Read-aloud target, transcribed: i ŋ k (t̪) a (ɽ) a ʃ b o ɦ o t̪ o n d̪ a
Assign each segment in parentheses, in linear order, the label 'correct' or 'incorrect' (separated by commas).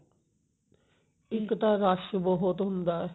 correct, incorrect